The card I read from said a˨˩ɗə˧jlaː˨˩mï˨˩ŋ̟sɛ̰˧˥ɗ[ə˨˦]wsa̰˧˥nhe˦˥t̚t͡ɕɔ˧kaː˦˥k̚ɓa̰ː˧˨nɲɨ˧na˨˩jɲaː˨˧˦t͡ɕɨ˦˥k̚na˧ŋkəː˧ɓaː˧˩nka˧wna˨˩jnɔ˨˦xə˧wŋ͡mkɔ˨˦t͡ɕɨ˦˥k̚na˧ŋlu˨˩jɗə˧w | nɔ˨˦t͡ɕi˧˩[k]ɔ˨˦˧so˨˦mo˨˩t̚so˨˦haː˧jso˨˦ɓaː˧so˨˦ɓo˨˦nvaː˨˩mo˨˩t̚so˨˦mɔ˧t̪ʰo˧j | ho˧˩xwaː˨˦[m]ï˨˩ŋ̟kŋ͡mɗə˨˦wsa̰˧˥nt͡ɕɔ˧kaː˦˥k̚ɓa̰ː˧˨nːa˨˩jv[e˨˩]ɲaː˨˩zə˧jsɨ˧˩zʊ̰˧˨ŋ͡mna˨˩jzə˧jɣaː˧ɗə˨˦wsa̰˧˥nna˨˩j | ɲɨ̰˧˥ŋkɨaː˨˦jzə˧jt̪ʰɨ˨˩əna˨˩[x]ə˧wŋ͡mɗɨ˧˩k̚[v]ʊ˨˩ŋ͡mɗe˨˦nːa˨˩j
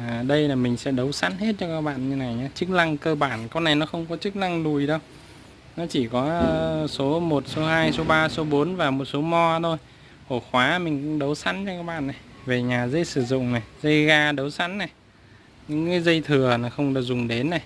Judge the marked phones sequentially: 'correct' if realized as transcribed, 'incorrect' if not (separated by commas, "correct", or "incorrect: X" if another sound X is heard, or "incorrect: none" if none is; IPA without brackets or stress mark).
correct, correct, correct, correct, correct, incorrect: z